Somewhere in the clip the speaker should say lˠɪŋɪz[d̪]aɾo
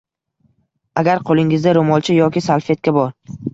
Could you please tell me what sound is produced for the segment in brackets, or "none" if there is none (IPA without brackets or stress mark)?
d̪